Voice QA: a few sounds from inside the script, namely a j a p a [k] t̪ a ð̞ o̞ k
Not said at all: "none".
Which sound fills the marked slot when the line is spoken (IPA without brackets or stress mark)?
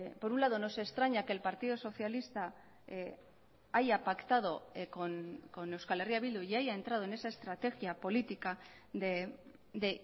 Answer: k